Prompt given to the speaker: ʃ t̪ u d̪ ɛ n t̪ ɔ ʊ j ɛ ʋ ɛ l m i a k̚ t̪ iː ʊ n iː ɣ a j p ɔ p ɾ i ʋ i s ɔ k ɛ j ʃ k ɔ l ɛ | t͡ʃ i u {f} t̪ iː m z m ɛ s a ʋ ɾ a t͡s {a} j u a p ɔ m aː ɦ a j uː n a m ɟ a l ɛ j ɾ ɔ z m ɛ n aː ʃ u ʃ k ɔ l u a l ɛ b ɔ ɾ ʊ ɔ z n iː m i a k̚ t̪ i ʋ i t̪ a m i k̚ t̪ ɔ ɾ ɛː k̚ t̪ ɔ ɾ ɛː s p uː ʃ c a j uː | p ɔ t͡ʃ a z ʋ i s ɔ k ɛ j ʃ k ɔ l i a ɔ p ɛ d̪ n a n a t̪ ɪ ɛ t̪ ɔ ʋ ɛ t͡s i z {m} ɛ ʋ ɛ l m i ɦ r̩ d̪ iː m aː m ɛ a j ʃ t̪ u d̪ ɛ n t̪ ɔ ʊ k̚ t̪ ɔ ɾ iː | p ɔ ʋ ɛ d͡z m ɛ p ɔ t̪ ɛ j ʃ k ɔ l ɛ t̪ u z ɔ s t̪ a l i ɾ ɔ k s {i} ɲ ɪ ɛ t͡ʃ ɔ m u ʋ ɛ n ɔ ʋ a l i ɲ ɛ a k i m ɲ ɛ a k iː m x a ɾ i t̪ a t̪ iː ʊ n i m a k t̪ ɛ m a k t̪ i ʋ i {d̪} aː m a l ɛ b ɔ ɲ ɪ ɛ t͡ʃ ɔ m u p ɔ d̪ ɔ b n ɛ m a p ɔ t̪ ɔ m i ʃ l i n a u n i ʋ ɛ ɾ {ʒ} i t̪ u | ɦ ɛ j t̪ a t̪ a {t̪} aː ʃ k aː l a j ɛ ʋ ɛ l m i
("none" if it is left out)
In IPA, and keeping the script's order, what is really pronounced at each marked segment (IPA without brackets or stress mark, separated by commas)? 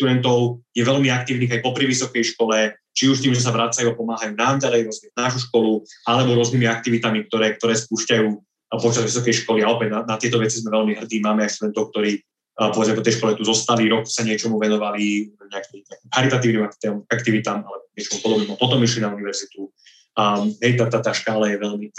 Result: ʃ, a, m, a, t̪, z, t̪